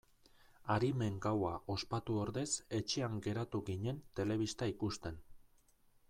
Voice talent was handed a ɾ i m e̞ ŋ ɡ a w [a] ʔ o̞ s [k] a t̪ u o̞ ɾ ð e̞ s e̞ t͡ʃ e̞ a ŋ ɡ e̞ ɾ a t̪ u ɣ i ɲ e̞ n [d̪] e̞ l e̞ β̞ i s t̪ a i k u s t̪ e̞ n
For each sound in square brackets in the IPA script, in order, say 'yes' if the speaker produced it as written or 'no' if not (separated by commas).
yes, no, no